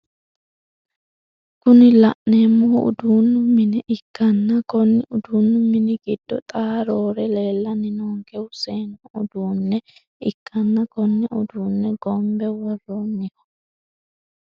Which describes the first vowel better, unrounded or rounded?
rounded